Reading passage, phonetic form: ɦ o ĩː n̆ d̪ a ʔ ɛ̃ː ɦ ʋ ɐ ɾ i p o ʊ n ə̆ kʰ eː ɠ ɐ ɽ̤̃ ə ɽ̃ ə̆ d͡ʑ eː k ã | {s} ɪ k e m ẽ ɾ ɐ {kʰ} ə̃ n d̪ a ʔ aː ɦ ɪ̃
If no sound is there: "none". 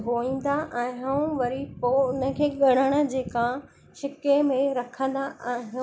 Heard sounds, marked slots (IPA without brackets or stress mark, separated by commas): ʃ, kʰ